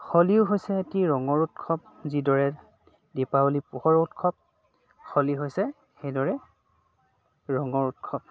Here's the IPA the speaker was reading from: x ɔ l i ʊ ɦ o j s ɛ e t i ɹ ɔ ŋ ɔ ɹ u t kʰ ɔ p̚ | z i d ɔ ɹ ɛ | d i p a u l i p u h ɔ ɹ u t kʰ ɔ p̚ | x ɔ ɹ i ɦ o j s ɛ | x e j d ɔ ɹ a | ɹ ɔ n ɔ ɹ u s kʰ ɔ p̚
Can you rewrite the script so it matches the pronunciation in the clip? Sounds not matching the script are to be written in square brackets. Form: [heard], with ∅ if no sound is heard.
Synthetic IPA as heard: x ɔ l i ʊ ɦ o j s ɛ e t i ɹ ɔ ŋ ɔ ɹ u t kʰ ɔ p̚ | z i d ɔ ɹ ɛ | d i p a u l i p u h ɔ ɹ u t kʰ ɔ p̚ | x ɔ [l] i ɦ o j s ɛ | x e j d ɔ ɹ [ɛ] | ɹ ɔ [ŋ] ɔ ɹ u [t] kʰ ɔ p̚